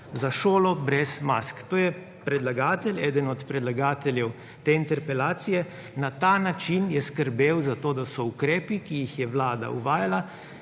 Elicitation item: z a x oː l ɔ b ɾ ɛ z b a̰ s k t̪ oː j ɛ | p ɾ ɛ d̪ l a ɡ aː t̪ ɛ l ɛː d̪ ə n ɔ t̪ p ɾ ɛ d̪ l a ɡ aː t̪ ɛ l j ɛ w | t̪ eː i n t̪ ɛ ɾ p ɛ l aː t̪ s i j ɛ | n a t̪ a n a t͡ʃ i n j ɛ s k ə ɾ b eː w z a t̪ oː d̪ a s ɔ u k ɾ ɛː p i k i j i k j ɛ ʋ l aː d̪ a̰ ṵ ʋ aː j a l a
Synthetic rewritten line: z a ʃ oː l ɔ b ɾ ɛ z m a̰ s k t̪ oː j ɛ | p ɾ ɛ d̪ l a ɡ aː t̪ ɛ l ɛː d̪ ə n ɔ t̪ p ɾ ɛ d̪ l a ɡ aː t̪ ɛ l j ɛ w | t̪ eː i n t̪ ɛ ɾ p ɛ l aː t̪ s i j ɛ | n a t̪ a n a t͡ʃ i n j ɛ s k ə ɾ b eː w z a t̪ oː d̪ a s ɔ u k ɾ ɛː p i k i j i x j ɛ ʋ l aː d̪ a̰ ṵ ʋ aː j a l a